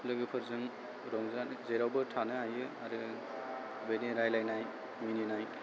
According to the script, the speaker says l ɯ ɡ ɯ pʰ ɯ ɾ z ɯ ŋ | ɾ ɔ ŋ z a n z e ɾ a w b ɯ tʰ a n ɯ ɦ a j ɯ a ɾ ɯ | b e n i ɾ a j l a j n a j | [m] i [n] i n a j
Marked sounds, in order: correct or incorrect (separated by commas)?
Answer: correct, correct